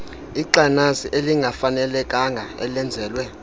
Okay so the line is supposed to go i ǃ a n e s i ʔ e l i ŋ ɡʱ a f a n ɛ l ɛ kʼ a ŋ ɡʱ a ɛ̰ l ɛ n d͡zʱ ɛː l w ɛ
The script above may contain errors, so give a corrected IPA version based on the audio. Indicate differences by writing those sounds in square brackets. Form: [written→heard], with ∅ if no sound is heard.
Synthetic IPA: i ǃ a n [e→a] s i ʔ e l i ŋ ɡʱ a f a n ɛ l ɛ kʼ a ŋ ɡʱ a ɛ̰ l ɛ n d͡zʱ ɛː l w ɛ